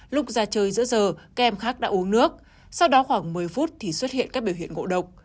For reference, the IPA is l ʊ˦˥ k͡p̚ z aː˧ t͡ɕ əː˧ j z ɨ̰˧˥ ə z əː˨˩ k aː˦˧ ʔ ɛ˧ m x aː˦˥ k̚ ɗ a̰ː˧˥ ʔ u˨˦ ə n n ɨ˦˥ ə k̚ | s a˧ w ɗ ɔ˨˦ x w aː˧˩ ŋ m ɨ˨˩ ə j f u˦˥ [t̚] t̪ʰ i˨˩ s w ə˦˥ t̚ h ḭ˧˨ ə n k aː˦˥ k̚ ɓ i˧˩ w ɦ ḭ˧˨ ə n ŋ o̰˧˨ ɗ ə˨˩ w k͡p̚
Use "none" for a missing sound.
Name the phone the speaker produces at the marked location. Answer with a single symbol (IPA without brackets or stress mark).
t̚